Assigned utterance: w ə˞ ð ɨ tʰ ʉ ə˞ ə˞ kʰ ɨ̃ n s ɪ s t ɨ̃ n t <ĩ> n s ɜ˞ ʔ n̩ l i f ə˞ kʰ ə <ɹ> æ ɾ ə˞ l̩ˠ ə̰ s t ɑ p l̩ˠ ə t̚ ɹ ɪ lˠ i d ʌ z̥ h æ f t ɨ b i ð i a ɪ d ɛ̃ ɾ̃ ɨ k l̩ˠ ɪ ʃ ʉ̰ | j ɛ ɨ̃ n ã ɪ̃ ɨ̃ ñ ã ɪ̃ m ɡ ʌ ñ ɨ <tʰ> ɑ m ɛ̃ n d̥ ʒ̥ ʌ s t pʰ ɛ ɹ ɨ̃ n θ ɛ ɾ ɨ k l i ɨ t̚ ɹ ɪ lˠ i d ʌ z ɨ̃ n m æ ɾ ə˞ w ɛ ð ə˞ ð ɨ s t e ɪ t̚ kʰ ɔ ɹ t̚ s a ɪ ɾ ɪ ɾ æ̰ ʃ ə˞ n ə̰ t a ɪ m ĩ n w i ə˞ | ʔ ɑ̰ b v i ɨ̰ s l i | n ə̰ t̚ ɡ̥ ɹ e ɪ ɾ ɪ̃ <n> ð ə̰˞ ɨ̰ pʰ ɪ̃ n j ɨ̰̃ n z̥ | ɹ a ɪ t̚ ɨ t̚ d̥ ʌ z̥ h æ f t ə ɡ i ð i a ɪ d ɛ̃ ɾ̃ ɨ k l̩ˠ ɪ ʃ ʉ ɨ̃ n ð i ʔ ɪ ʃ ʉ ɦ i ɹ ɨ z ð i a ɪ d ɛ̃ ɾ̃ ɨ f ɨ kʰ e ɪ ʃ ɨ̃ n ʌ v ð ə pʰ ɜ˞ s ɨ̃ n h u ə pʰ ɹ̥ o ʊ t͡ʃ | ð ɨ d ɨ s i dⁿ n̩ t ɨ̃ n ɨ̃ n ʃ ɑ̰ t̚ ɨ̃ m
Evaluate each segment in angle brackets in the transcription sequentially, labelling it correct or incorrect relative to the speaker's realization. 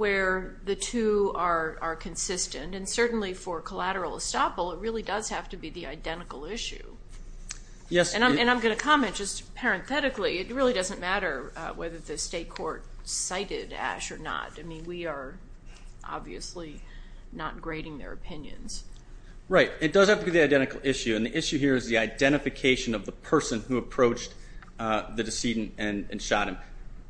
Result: incorrect: ɨ̃, incorrect: l, incorrect: kʰ, incorrect: ŋ

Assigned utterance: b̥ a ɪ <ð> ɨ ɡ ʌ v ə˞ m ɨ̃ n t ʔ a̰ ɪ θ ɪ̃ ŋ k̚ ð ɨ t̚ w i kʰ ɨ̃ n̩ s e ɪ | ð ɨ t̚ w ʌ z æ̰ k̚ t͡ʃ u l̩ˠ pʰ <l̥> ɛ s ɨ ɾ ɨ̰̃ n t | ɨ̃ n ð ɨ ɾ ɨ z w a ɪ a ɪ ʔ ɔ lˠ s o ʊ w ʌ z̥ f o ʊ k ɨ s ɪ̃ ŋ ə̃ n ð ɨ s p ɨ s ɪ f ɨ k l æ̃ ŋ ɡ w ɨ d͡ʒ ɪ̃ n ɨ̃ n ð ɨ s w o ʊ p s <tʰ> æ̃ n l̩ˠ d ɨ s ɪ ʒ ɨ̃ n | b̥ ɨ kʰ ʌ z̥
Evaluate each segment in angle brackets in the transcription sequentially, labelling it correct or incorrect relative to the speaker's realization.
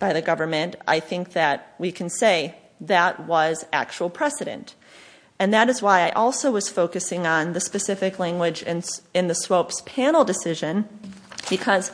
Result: correct, incorrect: ɹ̥, incorrect: pʰ

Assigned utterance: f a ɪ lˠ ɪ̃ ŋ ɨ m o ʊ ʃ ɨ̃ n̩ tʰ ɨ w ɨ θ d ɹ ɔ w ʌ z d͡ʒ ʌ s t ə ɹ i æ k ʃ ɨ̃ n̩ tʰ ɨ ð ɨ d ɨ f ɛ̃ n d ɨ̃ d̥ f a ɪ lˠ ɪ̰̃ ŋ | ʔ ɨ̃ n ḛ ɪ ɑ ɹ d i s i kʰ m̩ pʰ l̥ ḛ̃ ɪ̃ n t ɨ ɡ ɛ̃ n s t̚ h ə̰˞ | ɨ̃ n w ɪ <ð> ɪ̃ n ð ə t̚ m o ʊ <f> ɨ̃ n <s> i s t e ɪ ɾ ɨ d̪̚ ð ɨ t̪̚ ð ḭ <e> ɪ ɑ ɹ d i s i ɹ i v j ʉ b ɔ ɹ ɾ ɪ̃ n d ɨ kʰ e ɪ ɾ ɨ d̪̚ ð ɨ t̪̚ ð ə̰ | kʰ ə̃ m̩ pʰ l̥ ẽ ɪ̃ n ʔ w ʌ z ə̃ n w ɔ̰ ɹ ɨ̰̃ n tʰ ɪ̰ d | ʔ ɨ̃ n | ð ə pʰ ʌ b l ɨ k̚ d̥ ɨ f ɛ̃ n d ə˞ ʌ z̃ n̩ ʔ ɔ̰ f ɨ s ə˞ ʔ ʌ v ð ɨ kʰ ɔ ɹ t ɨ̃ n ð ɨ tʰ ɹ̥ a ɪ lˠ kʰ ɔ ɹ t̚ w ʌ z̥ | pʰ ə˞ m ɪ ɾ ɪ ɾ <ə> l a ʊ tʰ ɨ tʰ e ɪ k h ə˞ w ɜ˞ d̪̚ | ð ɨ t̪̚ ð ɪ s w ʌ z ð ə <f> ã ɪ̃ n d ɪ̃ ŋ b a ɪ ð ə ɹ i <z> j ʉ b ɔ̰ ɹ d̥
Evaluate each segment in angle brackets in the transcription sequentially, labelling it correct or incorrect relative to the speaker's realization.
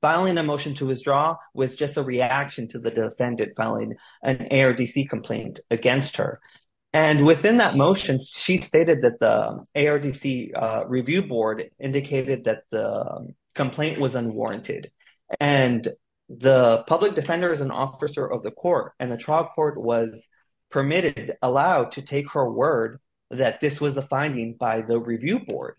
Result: incorrect: θ, incorrect: ʃ, incorrect: ʃ, correct, correct, correct, incorrect: v

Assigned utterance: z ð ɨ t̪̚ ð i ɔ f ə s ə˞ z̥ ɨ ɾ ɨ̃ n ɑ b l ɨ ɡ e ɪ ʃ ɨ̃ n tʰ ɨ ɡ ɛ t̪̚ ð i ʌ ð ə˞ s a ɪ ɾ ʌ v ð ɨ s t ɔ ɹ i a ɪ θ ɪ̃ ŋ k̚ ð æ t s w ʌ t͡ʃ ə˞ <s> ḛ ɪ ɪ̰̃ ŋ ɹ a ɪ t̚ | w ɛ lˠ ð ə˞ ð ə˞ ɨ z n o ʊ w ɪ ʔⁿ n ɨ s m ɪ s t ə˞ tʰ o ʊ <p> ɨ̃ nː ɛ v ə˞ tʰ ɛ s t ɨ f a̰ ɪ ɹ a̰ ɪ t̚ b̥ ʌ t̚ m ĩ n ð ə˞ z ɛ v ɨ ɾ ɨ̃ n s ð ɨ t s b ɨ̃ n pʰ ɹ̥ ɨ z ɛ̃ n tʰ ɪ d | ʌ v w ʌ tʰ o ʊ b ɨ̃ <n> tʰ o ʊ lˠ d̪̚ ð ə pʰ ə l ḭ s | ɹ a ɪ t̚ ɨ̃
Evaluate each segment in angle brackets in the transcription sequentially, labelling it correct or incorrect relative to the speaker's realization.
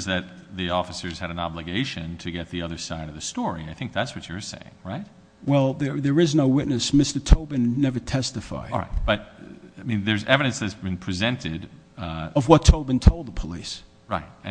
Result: correct, incorrect: b, correct

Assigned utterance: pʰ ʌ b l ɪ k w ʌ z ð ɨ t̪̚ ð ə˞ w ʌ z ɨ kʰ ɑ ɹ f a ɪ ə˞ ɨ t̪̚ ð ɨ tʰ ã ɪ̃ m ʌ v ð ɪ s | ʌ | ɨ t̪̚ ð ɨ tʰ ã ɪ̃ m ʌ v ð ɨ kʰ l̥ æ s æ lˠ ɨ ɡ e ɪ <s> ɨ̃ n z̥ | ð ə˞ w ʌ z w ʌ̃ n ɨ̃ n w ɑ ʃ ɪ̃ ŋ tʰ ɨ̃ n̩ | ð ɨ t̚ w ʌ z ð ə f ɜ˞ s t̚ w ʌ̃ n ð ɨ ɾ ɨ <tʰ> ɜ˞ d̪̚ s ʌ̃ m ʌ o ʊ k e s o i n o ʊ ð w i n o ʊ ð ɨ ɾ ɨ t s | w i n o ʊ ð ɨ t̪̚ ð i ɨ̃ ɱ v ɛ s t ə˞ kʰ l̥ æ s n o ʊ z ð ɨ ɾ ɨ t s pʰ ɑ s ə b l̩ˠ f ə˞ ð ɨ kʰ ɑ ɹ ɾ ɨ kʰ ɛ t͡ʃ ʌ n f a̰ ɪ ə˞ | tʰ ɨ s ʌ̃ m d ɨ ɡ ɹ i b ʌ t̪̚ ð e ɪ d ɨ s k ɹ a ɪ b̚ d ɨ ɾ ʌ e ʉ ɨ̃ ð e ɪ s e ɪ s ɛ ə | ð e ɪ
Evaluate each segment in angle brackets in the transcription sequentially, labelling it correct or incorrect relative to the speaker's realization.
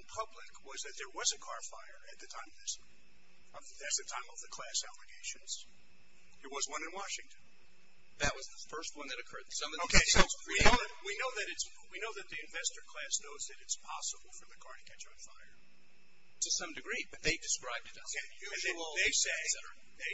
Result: incorrect: ʃ, incorrect: kʰ

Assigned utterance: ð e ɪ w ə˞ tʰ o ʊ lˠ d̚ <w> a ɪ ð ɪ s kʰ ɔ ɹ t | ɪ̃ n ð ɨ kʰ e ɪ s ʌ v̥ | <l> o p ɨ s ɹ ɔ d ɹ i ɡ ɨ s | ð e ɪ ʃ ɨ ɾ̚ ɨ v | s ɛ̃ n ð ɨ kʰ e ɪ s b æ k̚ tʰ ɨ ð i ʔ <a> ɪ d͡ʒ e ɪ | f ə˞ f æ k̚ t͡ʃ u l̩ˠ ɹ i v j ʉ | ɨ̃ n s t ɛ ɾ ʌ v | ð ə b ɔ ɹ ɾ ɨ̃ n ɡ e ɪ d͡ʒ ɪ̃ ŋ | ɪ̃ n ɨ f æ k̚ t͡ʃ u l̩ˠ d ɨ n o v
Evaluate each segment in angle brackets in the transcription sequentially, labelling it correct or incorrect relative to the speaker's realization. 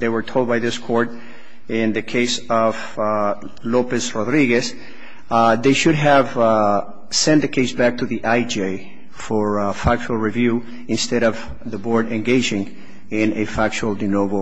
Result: incorrect: b, correct, correct

